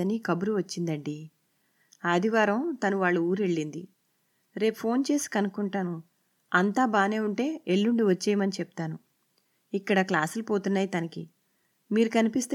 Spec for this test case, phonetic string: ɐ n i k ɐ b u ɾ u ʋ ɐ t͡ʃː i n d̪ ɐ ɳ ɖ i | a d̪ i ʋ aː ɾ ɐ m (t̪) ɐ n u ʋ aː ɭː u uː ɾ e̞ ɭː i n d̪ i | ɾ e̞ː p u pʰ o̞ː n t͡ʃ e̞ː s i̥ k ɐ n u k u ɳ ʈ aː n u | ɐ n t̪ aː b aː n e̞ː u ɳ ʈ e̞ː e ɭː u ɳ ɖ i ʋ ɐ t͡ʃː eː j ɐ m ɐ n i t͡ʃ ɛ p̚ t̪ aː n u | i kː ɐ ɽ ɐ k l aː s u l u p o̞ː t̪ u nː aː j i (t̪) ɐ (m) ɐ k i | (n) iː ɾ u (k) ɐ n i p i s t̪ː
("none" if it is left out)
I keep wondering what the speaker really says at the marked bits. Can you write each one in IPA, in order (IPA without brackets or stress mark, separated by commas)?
t̪, t̪, n, m, k